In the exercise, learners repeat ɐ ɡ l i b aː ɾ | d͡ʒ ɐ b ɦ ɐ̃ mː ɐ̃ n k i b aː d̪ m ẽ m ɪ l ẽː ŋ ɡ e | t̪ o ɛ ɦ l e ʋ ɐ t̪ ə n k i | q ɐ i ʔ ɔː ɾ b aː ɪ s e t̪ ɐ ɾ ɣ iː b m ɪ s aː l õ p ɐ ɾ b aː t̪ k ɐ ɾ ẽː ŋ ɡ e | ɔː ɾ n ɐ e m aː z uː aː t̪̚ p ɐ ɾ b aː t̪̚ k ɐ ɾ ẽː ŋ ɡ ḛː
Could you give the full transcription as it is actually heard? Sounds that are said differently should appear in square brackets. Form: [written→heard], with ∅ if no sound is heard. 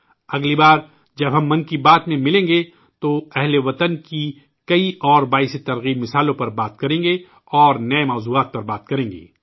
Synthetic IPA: ɐ ɡ l i b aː ɾ | d͡ʒ ɐ b ɦ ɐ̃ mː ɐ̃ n k i b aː [d̪→t̪] m ẽ m ɪ l ẽː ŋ ɡ e | t̪ o ɛ ɦ l e ʋ ɐ t̪ ə n k i | [q→k] ɐ i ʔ ɔː ɾ b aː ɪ s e t̪ ɐ ɾ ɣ iː b m ɪ s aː l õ p ɐ ɾ b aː t̪ k ɐ ɾ ẽː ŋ ɡ e | ɔː ɾ n ɐ e m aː z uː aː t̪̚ p ɐ ɾ b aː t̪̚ k ɐ ɾ ẽː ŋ ɡ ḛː